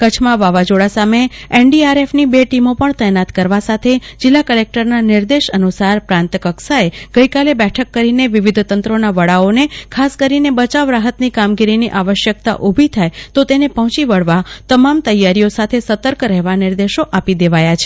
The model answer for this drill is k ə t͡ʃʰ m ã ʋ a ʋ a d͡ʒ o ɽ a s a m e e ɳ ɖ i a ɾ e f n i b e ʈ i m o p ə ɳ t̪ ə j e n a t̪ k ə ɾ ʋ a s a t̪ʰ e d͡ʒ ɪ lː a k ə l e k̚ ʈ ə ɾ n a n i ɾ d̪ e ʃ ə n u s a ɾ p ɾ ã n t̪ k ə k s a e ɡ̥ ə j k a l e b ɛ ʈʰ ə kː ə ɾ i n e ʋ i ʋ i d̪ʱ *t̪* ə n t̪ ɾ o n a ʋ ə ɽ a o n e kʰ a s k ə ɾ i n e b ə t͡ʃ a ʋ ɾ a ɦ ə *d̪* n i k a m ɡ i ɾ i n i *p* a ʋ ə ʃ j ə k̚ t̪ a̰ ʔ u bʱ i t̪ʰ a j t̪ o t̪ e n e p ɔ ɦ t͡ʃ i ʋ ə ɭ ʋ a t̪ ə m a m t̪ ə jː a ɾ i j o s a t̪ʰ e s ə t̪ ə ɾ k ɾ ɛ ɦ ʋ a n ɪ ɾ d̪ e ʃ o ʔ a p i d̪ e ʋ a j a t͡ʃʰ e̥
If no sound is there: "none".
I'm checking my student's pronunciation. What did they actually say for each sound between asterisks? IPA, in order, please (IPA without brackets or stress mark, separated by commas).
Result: t̪, t̪, ʔ